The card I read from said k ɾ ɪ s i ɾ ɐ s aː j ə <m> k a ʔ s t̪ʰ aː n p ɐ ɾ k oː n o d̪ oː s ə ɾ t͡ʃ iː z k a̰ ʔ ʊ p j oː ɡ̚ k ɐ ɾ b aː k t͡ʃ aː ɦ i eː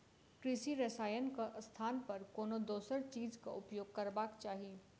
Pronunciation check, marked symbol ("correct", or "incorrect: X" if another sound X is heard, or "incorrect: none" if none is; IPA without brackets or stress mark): incorrect: n